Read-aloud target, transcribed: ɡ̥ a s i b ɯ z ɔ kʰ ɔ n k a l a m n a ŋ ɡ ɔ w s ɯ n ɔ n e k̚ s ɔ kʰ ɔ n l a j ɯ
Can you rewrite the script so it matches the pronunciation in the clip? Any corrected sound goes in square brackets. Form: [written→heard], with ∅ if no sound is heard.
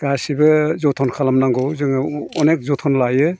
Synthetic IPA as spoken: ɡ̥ a s i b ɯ z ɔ [kʰ→tʰ] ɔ n [k→kʰ] a l a m n a ŋ ɡ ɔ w [s→z] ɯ [n→ŋ] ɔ n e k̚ [s→z] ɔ [kʰ→tʰ] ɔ n l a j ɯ